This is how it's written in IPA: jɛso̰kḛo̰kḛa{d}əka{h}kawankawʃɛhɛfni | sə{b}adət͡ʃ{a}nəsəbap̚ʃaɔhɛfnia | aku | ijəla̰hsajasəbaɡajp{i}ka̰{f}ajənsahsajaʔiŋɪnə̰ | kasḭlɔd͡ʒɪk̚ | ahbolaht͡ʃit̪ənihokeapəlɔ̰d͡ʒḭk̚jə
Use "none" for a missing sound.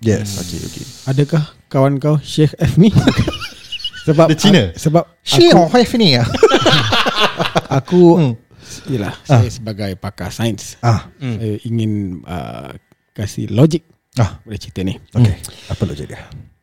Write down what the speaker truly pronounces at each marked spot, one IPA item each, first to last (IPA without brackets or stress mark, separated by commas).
d, h, b, i, a, s